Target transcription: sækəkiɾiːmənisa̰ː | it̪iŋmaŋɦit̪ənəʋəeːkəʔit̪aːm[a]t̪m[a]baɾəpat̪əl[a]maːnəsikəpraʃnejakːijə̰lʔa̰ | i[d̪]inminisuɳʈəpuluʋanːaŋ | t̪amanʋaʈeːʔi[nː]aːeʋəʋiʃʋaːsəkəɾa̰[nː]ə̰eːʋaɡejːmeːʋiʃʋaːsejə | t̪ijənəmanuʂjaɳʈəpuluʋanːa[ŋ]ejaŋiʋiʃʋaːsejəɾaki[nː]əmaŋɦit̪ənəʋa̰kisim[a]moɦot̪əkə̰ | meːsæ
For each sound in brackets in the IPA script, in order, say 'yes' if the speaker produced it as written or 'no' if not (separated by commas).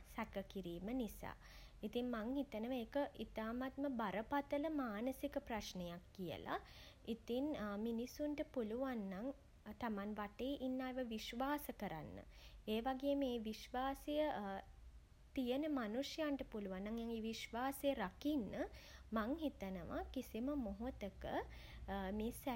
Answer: yes, no, no, no, yes, yes, yes, yes, no